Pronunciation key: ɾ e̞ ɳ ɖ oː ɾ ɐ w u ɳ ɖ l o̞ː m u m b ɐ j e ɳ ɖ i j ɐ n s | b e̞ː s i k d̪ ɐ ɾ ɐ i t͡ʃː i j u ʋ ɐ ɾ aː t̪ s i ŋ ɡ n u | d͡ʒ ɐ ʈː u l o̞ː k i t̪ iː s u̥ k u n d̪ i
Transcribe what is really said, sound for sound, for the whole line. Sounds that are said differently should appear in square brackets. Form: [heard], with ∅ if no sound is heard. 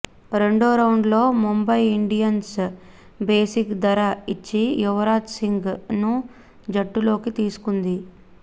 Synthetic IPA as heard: ɾ e̞ ɳ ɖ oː ɾ ɐ w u ɳ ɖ l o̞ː m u m b ɐ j [i] ɳ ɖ i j ɐ n s | b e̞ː s i k d̪ ɐ ɾ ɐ i t͡ʃː i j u ʋ ɐ ɾ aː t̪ s i ŋ ɡ n u | d͡ʒ ɐ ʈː u l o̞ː k i t̪ iː s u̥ k u n d̪ i